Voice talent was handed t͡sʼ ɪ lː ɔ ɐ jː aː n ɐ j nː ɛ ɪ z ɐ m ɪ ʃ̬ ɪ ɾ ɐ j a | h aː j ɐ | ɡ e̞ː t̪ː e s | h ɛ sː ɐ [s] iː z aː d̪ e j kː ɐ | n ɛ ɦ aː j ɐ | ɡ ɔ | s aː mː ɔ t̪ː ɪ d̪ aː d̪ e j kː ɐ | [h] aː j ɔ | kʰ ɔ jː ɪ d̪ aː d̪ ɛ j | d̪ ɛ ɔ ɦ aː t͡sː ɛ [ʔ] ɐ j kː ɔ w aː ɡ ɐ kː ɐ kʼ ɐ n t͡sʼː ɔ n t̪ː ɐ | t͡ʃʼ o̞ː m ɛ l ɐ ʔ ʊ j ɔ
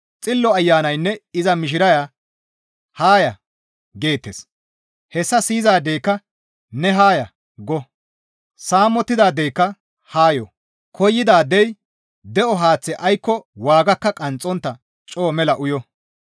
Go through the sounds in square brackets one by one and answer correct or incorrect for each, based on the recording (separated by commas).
correct, correct, correct